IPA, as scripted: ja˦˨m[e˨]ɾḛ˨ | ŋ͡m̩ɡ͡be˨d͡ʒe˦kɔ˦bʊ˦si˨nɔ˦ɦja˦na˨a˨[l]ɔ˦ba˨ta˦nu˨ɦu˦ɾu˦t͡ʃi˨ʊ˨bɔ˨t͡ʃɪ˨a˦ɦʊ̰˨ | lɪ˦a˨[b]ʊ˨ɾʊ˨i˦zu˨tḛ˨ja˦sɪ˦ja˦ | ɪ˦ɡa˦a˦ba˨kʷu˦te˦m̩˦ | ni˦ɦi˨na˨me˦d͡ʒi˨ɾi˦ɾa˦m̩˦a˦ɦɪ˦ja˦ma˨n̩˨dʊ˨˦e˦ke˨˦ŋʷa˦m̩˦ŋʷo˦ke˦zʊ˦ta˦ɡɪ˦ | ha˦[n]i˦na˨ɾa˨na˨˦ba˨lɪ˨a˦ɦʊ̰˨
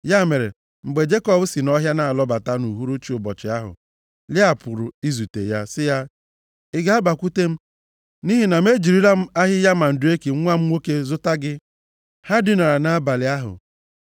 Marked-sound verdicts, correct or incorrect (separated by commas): correct, correct, incorrect, incorrect